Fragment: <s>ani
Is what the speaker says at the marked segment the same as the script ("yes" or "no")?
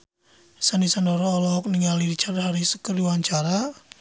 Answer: yes